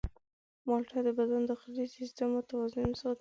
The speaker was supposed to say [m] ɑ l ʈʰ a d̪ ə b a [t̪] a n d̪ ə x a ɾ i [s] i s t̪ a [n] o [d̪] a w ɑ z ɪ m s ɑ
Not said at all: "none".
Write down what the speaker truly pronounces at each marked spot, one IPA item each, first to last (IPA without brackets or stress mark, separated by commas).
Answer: m, d̪, s, m, t̪